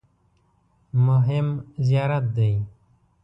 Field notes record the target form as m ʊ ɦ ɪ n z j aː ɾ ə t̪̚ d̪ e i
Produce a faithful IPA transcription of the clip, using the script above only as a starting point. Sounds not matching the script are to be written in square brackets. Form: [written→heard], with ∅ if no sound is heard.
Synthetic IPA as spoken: m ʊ ɦ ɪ [n→m] z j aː ɾ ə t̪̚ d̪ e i